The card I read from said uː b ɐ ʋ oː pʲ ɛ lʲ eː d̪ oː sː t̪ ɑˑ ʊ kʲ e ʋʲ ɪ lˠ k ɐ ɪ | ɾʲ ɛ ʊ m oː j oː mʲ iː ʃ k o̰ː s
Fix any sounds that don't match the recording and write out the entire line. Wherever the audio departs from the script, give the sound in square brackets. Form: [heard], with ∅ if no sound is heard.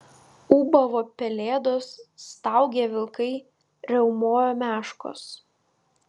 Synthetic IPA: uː b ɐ ʋ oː pʲ ɛ lʲ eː d̪ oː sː t̪ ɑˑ ʊ [ɡʲ] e ʋʲ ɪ lˠ k ɐ ɪ | ɾʲ ɛ ʊ m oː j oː mʲ [æː] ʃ k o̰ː s